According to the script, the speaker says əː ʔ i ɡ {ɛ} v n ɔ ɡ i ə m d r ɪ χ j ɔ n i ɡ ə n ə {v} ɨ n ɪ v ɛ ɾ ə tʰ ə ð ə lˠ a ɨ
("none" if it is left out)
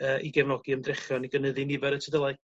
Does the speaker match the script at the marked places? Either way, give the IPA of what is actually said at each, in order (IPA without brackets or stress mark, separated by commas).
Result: ɛ, ð